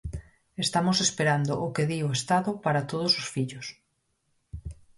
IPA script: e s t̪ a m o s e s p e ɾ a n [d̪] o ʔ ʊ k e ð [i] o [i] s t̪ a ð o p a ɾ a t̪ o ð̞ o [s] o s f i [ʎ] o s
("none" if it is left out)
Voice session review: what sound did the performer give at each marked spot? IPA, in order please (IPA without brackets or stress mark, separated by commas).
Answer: d̪, i, e, s, ʎ